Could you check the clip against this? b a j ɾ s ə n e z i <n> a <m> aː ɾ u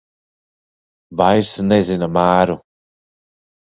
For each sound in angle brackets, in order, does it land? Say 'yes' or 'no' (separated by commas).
yes, yes